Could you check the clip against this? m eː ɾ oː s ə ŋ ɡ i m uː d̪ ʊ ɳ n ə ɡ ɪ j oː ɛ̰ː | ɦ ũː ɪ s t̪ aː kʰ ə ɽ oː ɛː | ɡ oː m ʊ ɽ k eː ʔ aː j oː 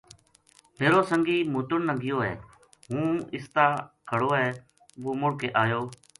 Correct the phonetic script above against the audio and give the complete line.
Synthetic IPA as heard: m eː ɾ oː s ə ŋ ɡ iː m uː t̪ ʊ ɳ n ə ɡ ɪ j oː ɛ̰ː | ɦ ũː ɪ s t̪ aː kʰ ə ɽ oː ɛː | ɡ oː m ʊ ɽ k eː ʔ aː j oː